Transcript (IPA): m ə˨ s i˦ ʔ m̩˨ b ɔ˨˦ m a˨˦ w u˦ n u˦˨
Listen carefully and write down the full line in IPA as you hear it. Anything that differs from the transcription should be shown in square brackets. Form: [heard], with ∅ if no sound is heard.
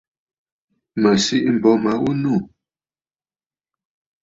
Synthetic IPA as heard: m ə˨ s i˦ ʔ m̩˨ b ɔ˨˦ m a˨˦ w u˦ n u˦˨